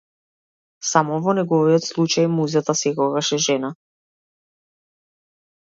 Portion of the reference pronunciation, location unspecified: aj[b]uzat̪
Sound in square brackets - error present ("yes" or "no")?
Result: yes